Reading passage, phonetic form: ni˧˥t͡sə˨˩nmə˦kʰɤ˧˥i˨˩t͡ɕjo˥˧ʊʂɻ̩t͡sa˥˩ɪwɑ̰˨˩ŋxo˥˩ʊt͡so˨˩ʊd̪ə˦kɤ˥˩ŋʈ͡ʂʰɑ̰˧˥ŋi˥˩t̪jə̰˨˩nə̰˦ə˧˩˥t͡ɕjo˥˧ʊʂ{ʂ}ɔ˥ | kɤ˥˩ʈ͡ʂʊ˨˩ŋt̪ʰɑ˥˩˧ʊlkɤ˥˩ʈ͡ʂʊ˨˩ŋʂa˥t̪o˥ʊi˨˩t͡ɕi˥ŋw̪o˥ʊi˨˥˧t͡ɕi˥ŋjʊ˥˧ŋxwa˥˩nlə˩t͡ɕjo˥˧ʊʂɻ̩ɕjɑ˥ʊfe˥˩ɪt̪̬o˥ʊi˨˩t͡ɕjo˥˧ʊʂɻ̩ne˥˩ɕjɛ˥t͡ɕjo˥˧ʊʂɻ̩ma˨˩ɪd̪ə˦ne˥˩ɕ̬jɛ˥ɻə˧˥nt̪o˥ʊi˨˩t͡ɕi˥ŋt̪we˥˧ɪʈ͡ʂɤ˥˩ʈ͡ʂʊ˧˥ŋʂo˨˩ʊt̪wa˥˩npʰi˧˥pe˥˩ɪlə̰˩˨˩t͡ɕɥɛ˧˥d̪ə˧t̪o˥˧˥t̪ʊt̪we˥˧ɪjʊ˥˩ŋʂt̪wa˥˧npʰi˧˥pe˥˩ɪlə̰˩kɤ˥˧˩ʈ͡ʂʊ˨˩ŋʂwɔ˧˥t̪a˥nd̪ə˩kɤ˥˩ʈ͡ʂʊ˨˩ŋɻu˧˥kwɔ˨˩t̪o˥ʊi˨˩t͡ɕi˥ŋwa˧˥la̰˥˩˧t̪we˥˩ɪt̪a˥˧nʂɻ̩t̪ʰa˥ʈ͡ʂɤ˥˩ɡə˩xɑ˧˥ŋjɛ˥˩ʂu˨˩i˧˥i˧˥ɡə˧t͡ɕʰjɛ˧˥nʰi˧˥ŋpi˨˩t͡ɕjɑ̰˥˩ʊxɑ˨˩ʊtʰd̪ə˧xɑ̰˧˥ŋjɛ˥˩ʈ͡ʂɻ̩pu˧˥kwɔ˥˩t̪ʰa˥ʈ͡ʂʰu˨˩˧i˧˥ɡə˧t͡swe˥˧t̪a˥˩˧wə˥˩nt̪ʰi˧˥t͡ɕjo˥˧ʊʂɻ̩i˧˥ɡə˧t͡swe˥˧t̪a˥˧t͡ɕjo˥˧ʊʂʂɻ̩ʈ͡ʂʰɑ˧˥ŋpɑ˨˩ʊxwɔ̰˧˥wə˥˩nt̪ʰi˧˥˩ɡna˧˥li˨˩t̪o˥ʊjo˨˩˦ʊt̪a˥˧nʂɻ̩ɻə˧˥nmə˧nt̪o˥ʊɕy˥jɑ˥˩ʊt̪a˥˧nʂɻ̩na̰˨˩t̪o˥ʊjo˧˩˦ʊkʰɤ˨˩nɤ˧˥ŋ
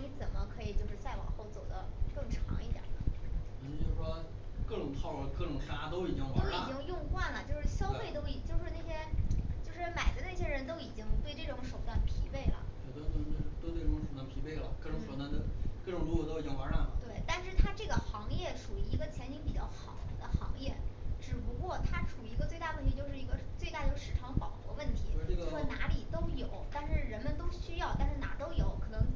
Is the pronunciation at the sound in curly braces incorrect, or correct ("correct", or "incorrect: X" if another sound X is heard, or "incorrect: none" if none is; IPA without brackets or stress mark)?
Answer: correct